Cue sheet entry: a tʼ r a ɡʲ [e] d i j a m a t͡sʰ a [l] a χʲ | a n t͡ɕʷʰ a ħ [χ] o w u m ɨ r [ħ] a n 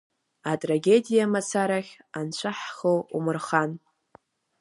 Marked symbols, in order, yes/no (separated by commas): yes, no, yes, no